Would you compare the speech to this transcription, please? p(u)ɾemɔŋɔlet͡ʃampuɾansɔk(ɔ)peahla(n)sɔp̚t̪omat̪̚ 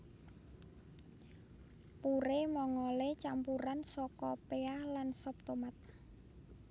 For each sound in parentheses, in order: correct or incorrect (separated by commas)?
correct, correct, correct